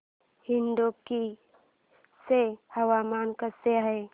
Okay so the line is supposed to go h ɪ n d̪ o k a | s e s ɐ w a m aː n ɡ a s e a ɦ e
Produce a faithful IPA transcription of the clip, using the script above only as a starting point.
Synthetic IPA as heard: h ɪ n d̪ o k i | s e h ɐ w a m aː n k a s e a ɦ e